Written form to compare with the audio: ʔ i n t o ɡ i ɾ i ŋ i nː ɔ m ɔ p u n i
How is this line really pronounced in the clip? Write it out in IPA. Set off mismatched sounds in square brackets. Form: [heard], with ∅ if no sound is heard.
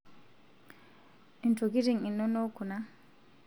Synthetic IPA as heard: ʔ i n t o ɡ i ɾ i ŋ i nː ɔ [n] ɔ [k] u n [a]

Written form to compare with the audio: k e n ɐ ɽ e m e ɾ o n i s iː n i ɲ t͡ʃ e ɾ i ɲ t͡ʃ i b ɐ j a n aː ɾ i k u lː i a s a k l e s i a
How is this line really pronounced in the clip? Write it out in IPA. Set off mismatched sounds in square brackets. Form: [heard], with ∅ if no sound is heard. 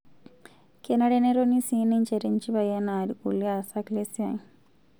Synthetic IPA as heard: k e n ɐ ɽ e [n] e ɾ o n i s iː n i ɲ t͡ʃ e ɾ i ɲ t͡ʃ i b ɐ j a n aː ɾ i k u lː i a s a k l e s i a

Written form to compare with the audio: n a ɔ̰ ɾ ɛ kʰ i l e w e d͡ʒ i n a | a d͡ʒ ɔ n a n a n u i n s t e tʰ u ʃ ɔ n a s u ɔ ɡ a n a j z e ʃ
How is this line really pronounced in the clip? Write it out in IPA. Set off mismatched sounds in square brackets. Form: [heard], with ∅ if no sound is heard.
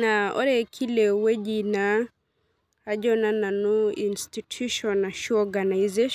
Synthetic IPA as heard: n a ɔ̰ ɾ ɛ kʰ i l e w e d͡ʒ i n a | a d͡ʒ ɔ n a n a n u i n s t [i] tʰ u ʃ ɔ n a [ʃ] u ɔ ɡ a n a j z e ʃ

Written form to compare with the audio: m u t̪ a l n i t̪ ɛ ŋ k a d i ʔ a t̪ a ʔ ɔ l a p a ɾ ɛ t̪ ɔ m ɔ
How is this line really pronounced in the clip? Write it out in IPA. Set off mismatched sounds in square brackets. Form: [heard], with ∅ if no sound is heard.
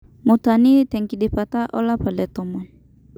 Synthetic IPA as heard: m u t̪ a [∅] n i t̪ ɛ ŋ k [i] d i [p] a t̪ a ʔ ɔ l a p a [l] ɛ t̪ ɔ m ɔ

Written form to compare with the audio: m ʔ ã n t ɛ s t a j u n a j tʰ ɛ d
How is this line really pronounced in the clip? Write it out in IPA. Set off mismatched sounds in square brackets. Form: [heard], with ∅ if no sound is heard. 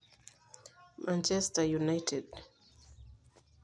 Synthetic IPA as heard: m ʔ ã n [t͡ʃ] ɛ s t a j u n a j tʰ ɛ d

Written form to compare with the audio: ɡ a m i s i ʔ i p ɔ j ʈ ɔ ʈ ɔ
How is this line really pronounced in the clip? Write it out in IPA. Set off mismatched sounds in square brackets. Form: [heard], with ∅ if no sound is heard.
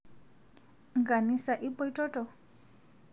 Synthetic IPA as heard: ɡ a [n] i s [a] ʔ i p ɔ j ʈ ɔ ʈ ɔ

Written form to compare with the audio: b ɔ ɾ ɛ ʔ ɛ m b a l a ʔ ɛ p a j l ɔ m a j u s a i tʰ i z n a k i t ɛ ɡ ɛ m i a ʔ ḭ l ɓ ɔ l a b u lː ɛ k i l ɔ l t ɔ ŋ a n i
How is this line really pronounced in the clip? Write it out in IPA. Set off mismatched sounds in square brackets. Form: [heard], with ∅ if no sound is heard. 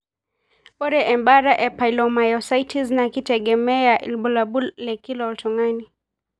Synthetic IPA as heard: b ɔ ɾ ɛ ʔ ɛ m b a [ɾ] a ʔ ɛ p a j l ɔ m a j [ɔ] s a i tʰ i z n a k i t ɛ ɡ ɛ m [ɛ] a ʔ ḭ l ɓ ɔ l a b u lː ɛ k i l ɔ l t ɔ ŋ a n i

